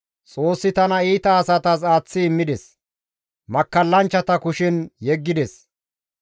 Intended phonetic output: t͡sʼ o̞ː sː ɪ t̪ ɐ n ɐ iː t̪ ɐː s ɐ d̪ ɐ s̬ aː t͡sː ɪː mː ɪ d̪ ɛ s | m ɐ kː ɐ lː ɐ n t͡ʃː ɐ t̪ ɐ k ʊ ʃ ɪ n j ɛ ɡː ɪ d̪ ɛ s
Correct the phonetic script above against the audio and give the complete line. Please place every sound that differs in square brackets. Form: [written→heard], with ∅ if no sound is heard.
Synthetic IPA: t͡sʼ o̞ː sː ɪ t̪ ɐ n ɐ iː t̪ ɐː s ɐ [d̪→t̪] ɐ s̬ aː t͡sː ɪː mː ɪ d̪ ɛ s | m ɐ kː ɐ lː ɐ n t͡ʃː ɐ t̪ ɐ k ʊ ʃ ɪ n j ɛ ɡː ɪ d̪ ɛ s